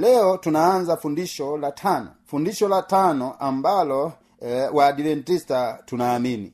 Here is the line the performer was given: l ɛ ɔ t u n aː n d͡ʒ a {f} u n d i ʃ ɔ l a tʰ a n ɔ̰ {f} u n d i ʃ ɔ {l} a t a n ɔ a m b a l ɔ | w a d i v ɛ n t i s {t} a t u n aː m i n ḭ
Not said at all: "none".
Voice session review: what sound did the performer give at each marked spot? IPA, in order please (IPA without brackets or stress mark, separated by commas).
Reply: f, f, l, t